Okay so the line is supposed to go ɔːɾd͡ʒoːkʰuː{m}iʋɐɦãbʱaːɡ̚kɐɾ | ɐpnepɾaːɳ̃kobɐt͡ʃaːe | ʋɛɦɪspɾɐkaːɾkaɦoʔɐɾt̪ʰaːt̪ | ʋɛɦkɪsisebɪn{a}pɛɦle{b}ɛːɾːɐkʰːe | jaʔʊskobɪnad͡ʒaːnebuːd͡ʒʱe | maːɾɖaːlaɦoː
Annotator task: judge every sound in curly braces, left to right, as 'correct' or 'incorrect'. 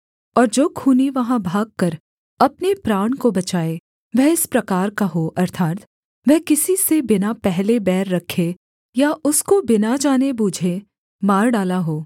incorrect, correct, correct

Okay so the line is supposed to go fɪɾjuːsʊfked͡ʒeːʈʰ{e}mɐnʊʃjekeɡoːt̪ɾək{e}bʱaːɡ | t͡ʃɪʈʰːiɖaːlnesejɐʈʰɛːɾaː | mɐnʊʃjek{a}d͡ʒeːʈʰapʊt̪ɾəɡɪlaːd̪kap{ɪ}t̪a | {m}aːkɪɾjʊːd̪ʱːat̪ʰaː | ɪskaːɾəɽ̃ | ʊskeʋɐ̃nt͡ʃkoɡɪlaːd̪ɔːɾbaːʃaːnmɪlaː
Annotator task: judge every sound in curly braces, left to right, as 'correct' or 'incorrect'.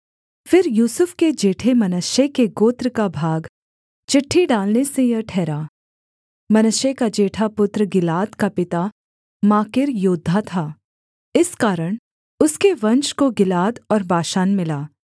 correct, incorrect, correct, correct, correct

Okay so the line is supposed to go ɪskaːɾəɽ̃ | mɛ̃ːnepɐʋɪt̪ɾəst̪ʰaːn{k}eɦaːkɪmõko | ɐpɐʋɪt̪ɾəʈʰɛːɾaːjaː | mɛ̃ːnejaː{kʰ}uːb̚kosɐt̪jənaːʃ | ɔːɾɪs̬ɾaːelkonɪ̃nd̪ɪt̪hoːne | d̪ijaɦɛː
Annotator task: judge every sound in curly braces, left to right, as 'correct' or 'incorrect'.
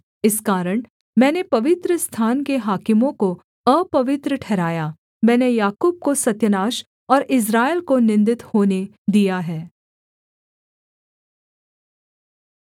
correct, incorrect

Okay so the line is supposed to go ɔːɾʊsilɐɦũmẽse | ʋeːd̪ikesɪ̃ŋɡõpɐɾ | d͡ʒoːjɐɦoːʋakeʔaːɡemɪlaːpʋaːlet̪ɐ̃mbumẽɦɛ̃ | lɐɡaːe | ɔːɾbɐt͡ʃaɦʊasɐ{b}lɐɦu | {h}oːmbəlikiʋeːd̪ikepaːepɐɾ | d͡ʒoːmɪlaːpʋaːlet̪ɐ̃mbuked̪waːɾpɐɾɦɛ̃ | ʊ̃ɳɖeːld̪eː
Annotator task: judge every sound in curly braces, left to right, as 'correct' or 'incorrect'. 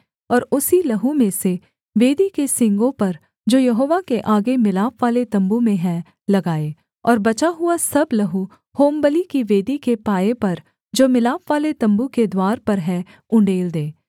correct, correct

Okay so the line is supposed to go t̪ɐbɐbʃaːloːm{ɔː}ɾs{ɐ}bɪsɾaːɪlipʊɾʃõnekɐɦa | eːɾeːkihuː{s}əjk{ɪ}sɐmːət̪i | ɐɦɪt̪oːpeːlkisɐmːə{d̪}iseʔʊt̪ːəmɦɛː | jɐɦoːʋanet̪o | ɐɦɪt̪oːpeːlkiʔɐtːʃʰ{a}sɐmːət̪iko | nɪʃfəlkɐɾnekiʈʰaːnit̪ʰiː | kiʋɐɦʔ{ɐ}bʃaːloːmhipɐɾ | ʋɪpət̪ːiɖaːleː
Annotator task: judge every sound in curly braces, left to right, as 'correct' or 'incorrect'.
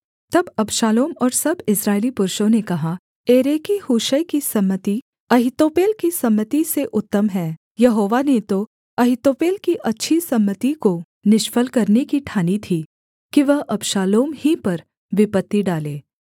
correct, correct, incorrect, incorrect, incorrect, incorrect, correct

